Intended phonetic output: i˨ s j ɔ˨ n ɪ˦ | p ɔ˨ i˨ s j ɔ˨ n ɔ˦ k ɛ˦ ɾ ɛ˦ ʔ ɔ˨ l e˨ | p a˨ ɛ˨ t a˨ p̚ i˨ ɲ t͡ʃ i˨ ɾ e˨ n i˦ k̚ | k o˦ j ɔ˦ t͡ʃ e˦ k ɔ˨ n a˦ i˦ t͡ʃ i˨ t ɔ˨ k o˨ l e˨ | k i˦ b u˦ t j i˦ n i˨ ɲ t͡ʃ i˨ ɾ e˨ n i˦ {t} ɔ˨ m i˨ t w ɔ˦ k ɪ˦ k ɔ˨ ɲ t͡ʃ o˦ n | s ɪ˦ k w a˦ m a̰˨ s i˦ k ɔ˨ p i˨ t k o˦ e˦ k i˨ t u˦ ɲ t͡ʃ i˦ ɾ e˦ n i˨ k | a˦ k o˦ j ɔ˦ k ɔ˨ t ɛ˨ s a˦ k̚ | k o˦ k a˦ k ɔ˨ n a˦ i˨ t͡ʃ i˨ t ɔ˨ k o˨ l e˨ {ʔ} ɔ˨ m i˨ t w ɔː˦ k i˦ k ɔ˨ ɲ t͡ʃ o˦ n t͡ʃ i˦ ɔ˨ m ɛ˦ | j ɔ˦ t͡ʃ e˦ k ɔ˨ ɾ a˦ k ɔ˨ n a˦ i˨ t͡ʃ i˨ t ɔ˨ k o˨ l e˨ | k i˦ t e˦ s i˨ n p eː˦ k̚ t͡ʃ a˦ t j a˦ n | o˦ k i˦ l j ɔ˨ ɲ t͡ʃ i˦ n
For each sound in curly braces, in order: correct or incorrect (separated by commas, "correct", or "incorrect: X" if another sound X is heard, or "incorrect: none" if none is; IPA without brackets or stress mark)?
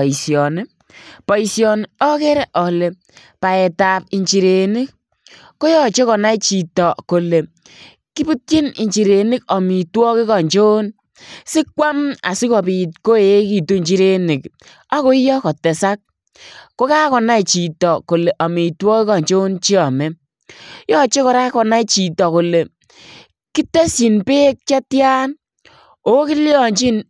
incorrect: k, correct